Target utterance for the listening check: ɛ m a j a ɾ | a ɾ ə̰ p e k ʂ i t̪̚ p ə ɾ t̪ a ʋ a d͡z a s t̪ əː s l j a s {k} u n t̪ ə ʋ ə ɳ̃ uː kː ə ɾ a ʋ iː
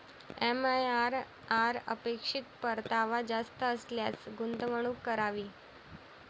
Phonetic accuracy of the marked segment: incorrect: ɡ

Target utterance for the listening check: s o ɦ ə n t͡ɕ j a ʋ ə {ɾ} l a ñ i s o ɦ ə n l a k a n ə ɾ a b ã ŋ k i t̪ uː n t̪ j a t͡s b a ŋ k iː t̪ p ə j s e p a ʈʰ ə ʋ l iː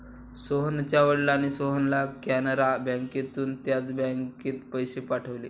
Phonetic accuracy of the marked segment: incorrect: ɽ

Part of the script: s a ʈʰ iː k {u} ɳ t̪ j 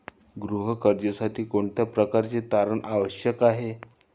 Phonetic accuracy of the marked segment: incorrect: o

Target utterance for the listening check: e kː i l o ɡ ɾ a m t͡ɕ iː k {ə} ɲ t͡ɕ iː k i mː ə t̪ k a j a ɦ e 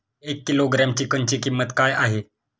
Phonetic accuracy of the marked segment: correct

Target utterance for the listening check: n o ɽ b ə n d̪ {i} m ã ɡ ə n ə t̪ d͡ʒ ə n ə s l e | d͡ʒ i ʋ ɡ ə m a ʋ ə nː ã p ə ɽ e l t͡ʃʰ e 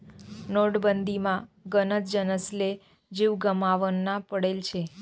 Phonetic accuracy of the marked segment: correct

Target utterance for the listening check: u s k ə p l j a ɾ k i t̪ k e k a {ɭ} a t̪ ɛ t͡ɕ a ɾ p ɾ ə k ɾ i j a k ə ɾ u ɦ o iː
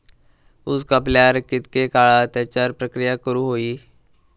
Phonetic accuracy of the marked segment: correct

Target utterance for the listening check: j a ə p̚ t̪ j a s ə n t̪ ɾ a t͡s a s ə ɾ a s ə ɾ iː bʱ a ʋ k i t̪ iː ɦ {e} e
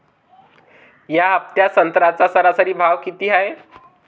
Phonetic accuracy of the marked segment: incorrect: a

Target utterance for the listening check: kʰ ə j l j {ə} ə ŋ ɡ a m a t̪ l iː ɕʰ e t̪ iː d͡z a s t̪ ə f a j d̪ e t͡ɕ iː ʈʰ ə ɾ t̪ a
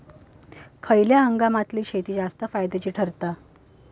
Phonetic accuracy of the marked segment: incorrect: a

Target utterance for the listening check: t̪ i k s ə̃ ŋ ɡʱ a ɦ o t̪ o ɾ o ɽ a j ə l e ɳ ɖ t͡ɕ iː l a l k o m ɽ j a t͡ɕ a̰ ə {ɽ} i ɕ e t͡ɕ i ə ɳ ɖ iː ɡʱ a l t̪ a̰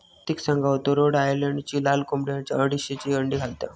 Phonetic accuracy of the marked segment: correct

